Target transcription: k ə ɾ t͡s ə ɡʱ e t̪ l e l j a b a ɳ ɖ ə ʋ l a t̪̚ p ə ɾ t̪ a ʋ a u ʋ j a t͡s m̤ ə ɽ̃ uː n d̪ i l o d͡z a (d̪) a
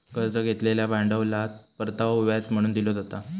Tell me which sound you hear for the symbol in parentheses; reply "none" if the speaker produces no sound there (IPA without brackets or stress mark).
t̪